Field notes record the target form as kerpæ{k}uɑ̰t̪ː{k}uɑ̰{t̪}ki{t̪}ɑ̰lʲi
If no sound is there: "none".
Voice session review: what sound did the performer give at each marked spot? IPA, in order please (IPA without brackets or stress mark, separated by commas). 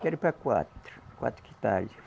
k, k, t̪, t̪